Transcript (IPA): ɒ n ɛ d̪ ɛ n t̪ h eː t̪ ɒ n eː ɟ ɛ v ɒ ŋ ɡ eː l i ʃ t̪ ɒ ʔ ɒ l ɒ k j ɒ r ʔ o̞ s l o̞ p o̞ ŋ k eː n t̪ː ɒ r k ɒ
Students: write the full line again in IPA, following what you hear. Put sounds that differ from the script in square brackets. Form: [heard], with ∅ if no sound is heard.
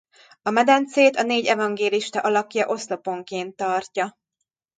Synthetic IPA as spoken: ɒ [m] ɛ d̪ ɛ n t̪ [s] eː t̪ ɒ n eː ɟ ɛ v ɒ ŋ ɡ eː l i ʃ t̪ ɒ ʔ ɒ l ɒ k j ɒ [∅] ʔ o̞ s l o̞ p o̞ ŋ k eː n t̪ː ɒ r [c] ɒ